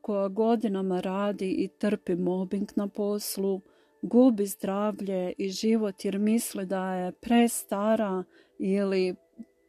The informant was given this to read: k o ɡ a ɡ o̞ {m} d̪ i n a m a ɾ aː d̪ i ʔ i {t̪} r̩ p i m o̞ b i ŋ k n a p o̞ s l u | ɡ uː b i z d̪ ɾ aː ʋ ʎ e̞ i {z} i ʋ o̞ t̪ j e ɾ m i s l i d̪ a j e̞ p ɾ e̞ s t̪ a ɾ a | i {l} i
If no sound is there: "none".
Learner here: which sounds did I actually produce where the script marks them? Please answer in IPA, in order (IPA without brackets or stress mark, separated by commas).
none, t̪, ʒ, l